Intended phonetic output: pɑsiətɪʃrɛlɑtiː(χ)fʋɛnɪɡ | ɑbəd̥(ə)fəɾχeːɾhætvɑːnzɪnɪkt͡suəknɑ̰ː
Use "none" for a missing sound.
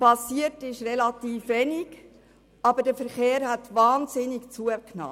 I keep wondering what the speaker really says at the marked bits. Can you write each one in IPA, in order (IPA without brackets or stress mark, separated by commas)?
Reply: none, ə